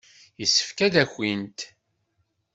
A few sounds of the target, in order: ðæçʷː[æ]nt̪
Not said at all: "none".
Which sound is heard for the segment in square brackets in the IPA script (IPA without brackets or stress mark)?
i